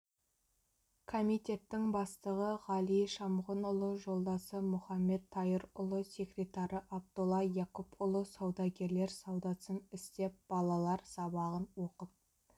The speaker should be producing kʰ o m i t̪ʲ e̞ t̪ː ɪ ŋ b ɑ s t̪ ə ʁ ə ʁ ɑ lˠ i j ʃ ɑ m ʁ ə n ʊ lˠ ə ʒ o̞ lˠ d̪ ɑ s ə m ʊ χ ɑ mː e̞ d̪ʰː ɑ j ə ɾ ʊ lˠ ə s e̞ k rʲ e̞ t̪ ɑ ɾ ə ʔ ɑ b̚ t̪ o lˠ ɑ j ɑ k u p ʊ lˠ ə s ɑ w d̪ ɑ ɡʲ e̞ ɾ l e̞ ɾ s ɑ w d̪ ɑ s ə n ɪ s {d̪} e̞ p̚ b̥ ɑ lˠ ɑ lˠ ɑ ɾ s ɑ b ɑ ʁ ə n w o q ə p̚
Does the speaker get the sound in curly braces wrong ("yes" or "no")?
yes